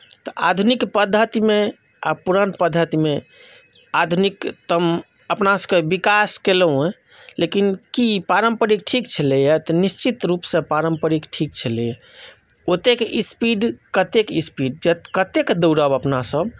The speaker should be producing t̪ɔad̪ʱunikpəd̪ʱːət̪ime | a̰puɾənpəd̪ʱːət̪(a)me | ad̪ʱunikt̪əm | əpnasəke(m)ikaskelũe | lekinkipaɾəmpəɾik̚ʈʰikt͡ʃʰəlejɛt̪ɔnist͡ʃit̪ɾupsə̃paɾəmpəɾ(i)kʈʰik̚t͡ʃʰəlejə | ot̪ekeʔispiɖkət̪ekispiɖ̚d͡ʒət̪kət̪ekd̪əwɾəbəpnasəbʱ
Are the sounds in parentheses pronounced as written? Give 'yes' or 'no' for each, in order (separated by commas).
no, no, yes